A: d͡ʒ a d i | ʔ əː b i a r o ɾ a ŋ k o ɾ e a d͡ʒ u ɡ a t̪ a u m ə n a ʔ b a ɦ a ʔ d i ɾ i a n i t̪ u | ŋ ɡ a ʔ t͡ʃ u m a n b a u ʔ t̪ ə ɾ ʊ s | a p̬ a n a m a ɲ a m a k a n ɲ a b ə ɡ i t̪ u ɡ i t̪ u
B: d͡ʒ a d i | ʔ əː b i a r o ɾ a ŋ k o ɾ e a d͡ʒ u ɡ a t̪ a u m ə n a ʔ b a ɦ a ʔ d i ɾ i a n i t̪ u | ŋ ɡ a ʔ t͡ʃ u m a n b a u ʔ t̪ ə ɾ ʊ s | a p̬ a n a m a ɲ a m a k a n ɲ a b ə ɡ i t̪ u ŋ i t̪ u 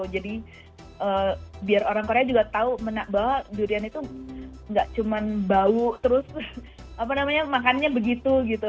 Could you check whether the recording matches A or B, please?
A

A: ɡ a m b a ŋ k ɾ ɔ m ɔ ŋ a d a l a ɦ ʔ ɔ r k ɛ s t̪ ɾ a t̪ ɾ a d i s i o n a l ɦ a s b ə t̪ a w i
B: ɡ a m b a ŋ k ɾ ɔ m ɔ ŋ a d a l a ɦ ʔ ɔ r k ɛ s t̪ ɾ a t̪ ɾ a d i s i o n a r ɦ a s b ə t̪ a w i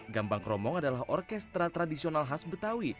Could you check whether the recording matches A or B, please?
A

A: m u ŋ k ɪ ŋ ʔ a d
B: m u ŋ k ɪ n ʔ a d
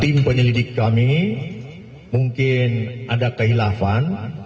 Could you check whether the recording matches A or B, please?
B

